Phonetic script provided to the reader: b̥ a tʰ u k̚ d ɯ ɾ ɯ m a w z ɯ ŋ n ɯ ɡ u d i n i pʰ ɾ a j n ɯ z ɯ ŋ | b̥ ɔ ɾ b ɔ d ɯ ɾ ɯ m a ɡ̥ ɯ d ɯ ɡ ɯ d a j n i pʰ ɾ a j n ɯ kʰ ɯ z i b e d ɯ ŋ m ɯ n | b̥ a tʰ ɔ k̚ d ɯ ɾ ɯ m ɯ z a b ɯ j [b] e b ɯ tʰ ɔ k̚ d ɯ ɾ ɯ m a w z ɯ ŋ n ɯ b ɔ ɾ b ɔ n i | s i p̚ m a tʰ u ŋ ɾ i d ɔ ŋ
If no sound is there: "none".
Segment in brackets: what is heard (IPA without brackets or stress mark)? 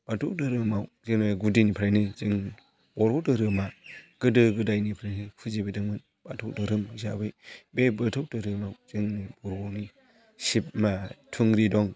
b